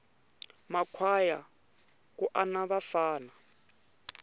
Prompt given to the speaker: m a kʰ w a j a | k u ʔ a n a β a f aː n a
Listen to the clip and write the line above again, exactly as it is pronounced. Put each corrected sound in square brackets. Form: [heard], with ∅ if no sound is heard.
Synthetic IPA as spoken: m a kʰ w a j a | k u ʔ a n a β a f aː n a